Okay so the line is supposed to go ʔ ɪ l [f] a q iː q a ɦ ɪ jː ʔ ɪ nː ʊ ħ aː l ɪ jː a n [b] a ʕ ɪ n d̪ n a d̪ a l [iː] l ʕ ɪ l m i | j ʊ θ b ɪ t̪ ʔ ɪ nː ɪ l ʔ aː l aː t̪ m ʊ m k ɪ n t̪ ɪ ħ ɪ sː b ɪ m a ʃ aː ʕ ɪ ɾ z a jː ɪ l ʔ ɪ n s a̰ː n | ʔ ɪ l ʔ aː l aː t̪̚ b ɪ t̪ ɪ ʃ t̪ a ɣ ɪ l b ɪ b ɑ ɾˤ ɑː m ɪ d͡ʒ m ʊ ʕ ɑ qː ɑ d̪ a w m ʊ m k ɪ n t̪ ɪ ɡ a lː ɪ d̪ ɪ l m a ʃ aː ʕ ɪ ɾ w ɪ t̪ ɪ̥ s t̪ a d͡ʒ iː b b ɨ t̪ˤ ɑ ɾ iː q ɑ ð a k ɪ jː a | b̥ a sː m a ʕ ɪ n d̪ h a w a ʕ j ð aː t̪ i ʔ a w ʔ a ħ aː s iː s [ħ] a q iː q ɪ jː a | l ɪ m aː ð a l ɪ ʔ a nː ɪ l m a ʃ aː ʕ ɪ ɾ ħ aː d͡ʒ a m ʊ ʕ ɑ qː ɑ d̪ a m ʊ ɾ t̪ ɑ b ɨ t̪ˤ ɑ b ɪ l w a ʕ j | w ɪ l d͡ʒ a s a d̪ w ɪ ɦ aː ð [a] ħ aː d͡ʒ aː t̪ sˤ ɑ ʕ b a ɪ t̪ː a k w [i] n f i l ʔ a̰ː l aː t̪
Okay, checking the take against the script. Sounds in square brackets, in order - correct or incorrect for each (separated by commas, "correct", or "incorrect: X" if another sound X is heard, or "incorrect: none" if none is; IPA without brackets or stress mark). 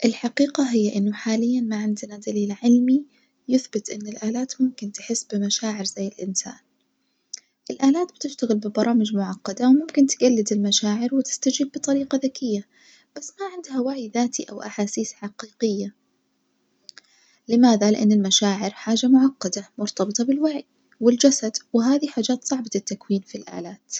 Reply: incorrect: ħ, incorrect: m, correct, correct, incorrect: i, incorrect: iː